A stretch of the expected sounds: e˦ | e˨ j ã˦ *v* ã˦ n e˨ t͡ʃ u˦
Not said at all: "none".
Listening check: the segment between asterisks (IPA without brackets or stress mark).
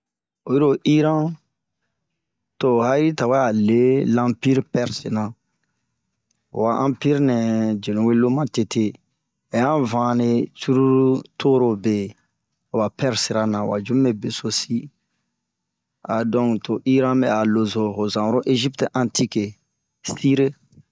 v